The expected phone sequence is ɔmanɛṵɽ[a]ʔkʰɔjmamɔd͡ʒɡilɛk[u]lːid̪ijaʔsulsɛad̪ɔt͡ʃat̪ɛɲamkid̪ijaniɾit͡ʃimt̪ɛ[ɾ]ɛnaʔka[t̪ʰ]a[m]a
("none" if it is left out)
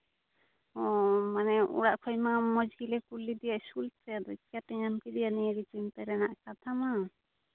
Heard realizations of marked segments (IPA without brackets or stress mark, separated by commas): a, u, ɾ, t̪ʰ, m